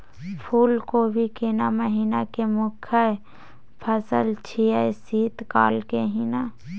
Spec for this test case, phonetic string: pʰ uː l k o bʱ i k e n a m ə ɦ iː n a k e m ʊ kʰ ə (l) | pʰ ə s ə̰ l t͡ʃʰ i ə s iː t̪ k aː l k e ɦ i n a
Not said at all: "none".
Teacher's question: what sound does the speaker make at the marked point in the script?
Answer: none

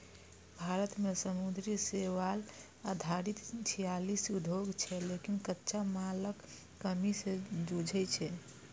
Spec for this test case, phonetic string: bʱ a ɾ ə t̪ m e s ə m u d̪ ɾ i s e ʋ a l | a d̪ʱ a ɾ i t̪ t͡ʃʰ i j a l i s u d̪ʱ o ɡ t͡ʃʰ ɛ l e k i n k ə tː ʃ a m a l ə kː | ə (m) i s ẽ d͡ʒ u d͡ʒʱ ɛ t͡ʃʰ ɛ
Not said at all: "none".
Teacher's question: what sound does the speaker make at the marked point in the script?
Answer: m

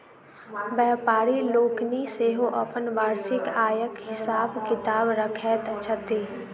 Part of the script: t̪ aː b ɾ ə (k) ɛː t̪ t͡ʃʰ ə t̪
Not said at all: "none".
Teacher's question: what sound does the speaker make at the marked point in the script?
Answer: kʰ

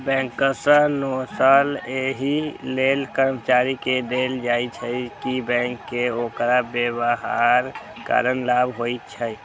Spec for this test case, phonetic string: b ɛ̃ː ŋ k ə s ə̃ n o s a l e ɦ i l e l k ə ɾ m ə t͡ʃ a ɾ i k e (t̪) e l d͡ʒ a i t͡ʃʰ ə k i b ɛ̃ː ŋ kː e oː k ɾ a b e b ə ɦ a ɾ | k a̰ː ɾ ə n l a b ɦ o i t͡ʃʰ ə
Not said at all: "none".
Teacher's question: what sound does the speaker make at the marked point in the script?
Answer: d̪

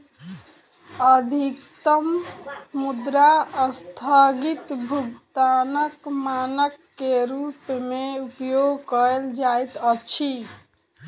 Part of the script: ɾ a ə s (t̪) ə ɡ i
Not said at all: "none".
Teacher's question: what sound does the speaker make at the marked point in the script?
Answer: t̪ʰ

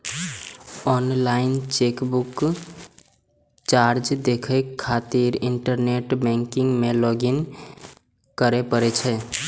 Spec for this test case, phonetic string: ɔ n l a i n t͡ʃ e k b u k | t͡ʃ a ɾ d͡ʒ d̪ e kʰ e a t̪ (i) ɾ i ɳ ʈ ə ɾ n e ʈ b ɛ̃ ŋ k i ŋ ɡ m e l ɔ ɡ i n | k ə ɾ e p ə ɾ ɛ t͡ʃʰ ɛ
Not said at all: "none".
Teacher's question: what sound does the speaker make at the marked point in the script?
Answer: i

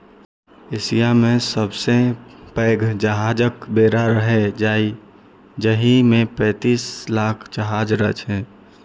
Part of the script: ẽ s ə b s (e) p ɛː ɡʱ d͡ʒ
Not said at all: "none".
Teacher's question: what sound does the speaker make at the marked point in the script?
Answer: e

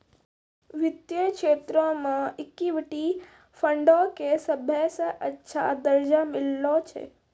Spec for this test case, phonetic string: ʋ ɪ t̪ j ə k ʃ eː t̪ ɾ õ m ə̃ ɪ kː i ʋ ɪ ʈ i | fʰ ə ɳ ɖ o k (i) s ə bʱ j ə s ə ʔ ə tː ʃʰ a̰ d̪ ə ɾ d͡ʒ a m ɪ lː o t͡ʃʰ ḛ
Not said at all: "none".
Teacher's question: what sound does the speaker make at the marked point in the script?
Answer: e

